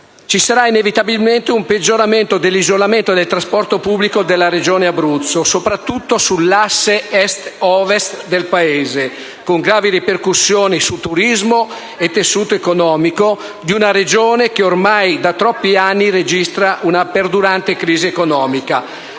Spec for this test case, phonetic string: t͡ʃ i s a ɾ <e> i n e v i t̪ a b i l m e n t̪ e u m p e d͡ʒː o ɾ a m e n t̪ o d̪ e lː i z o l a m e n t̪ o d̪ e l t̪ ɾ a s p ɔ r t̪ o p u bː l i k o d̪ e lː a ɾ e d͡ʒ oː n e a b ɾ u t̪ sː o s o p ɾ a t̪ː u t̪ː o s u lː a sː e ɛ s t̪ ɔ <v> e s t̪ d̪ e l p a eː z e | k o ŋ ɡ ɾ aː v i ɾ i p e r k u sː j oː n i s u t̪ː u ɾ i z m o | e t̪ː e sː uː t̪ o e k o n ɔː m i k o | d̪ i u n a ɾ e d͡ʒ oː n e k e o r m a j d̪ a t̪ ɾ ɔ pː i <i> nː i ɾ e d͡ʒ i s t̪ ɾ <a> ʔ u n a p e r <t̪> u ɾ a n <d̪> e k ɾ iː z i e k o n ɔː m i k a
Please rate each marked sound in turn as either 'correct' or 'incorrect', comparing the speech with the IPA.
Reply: incorrect: a, correct, incorrect: a, correct, incorrect: d̪, incorrect: t̪

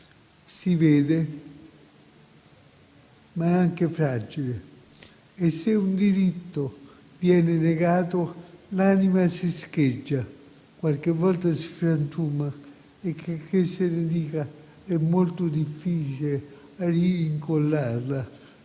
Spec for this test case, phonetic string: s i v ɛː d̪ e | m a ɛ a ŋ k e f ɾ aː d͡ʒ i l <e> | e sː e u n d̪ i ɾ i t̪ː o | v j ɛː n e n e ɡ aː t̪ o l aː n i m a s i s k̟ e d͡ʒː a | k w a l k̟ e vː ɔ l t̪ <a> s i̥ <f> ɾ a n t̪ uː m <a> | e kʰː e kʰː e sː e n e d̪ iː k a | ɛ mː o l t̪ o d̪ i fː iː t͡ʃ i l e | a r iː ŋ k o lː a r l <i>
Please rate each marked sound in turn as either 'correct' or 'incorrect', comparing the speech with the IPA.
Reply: correct, correct, correct, correct, incorrect: a

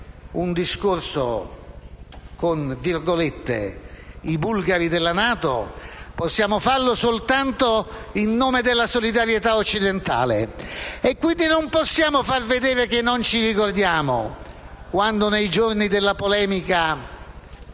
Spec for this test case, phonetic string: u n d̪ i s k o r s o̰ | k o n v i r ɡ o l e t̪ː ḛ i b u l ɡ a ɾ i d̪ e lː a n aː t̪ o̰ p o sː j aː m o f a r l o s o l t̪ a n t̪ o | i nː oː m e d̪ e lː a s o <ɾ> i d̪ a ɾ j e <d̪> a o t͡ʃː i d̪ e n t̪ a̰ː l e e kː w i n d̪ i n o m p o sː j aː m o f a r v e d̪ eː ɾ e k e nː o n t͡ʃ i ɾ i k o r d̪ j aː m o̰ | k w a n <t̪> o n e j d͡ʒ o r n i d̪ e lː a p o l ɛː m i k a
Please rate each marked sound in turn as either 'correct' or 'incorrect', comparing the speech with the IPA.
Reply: incorrect: l, incorrect: t̪, incorrect: d̪

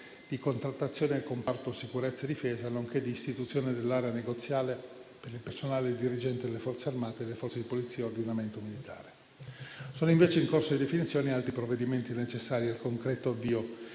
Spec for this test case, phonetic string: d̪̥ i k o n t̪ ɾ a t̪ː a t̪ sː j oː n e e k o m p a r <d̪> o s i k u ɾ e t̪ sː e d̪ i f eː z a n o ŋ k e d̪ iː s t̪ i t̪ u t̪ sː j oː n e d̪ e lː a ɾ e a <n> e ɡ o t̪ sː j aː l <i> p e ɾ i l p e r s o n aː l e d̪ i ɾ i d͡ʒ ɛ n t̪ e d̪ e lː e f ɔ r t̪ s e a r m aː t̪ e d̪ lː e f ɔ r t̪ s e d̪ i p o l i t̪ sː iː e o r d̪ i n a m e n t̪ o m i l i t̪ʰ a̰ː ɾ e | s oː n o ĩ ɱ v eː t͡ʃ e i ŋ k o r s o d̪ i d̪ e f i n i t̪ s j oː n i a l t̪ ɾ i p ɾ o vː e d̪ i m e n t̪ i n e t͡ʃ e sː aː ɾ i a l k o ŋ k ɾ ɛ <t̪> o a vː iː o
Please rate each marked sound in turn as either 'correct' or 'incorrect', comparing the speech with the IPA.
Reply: incorrect: t̪, correct, incorrect: e, correct

